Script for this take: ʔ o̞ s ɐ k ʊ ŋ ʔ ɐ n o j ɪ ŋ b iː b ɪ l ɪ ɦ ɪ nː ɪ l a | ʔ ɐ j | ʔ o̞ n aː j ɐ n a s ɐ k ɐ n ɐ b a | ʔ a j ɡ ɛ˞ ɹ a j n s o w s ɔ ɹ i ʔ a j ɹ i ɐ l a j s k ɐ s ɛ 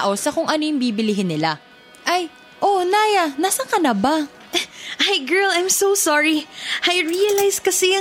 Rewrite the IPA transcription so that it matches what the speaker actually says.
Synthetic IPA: ʔ o̞ s ɐ k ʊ ŋ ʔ ɐ n o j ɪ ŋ b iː b ɪ l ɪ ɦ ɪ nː ɪ l a | ʔ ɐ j | ʔ o̞ n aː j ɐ n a s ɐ k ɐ n ɐ b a | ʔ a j ɡ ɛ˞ l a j m s o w s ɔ ɹ i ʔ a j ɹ i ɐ l a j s k ɐ s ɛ